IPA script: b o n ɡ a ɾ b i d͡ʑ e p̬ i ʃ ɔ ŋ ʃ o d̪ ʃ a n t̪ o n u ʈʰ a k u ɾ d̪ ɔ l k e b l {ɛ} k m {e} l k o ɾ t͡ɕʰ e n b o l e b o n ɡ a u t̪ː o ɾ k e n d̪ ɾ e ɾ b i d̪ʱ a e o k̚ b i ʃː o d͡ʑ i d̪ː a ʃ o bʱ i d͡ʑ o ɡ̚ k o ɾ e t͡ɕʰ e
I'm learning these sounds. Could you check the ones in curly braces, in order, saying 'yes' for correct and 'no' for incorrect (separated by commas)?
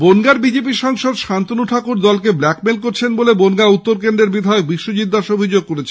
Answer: yes, yes